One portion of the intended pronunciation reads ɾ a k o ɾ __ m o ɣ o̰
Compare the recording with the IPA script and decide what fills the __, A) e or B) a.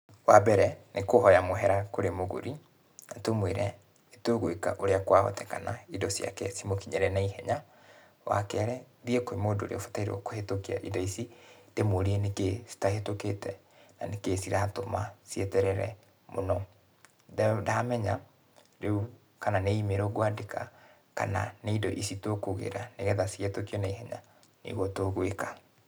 A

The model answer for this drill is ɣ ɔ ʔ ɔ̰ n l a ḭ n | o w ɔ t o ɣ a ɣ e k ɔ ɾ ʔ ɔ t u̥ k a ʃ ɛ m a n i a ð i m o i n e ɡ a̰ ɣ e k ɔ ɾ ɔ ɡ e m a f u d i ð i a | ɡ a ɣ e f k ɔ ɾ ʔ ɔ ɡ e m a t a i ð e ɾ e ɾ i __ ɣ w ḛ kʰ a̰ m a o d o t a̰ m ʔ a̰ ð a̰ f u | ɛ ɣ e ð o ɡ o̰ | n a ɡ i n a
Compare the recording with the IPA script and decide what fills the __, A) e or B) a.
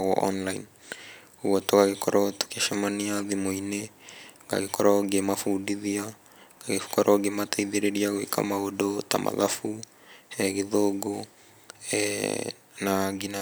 B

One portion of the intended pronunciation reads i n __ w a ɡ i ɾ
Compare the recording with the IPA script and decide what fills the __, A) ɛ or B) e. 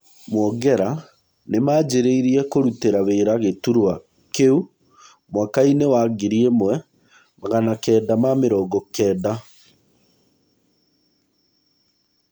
B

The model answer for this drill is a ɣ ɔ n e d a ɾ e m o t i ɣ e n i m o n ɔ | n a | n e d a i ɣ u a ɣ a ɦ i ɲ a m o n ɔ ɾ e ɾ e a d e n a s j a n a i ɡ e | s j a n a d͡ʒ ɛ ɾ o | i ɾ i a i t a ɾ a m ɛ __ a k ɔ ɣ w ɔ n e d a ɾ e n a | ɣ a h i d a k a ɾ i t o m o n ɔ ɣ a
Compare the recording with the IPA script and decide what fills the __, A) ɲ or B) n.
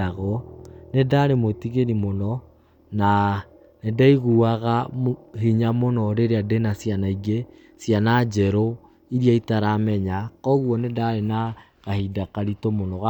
A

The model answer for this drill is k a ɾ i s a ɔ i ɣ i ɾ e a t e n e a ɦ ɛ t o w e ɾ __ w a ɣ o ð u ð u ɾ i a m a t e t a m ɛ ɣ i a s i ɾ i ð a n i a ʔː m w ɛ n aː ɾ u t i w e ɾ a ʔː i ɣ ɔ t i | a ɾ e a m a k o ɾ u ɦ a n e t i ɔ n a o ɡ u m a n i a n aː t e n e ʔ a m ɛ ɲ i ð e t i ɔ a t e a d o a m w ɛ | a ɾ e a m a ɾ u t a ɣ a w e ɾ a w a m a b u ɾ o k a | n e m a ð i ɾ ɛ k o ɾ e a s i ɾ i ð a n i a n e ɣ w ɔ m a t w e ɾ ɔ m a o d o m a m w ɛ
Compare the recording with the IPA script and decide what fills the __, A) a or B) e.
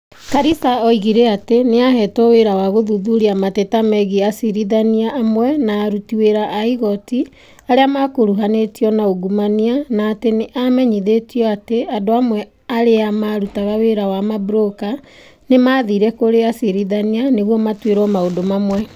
A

